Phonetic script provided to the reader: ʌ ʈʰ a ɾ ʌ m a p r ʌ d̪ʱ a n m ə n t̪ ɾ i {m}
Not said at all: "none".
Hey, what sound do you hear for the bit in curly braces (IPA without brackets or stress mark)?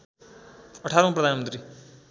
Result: none